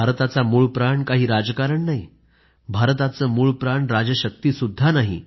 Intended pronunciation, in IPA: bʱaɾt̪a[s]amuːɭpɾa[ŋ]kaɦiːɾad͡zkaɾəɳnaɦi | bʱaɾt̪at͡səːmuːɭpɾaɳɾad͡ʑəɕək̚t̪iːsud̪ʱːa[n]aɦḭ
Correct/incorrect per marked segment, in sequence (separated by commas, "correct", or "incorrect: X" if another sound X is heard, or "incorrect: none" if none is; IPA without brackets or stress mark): incorrect: t͡s, incorrect: ɳ, correct